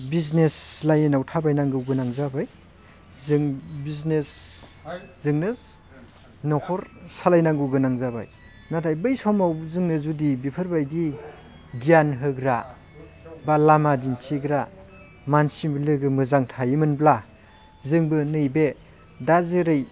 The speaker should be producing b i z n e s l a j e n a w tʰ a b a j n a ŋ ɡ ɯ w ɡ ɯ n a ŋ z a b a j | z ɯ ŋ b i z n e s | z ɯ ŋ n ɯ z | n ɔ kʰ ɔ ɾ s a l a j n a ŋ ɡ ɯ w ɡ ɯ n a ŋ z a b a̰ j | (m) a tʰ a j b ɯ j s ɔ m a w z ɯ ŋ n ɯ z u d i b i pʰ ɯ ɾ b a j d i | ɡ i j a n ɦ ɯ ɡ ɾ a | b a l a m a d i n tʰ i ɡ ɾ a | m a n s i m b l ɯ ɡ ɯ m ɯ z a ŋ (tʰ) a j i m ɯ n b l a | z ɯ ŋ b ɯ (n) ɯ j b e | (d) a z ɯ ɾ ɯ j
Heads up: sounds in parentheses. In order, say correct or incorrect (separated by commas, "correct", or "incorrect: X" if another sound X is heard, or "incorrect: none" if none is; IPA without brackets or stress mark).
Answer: incorrect: n, correct, correct, correct